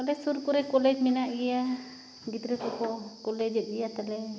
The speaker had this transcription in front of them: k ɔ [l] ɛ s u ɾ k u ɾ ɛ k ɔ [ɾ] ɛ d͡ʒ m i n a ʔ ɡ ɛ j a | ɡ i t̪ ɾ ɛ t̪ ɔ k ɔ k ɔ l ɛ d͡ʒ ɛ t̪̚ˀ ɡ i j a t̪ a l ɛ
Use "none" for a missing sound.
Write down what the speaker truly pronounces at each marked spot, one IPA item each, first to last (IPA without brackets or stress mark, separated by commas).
l, l